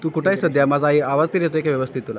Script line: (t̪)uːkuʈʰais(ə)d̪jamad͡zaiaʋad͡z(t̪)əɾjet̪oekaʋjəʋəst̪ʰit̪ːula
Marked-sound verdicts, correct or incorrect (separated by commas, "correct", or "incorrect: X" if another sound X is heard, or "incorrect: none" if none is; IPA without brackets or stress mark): correct, correct, correct